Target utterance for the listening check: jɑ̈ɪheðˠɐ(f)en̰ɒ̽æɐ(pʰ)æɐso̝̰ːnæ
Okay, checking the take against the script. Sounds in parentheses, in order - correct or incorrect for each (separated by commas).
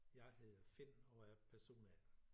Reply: correct, correct